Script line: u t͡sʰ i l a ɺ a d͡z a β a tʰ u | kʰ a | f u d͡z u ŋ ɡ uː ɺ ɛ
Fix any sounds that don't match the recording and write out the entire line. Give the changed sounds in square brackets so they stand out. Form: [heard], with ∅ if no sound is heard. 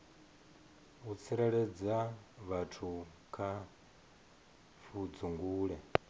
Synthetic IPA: u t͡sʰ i [ɾ] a ɺ [ɛ] d͡z a β a tʰ u | kʰ a | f u d͡z u ŋ ɡ uː ɺ ɛ